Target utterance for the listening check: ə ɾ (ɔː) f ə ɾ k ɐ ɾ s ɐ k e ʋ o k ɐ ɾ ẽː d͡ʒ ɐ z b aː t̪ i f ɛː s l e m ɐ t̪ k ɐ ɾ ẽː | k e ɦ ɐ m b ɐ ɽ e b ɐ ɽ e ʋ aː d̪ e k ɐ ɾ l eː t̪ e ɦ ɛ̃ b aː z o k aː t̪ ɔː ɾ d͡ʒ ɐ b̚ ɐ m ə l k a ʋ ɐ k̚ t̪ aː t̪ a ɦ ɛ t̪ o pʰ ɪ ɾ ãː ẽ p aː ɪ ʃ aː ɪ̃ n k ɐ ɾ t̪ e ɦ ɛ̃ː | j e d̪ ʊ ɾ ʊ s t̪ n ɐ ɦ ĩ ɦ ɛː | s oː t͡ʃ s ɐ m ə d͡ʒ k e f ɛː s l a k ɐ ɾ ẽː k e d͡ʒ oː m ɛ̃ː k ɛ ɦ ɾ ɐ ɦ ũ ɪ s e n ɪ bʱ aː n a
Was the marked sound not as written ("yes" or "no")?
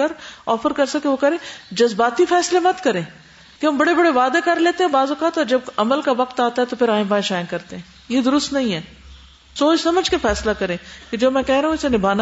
no